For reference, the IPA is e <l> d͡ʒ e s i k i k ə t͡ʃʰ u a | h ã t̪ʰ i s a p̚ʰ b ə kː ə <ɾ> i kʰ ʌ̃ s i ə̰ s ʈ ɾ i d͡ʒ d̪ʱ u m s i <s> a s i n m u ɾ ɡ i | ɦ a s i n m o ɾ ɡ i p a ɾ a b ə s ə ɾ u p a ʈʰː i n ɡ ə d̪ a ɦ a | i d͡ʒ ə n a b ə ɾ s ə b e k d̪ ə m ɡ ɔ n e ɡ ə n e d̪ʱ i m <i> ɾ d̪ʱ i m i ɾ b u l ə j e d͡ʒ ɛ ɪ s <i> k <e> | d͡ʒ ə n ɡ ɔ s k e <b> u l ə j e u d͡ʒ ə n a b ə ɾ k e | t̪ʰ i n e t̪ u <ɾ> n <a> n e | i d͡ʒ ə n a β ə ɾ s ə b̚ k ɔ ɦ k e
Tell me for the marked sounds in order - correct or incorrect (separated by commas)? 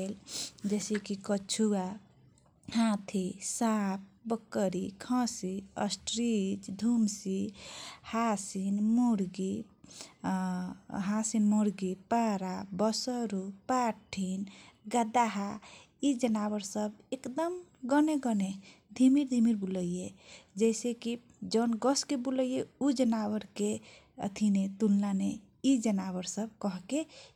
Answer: correct, correct, incorrect, correct, incorrect, incorrect, correct, incorrect, correct